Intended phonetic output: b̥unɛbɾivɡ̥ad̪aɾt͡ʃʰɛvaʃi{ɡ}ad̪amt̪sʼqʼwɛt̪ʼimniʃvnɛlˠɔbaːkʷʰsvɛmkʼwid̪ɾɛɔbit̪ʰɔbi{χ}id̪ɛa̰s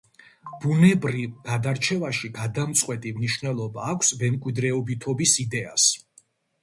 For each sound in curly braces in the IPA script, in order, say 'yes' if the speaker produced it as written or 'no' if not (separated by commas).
yes, no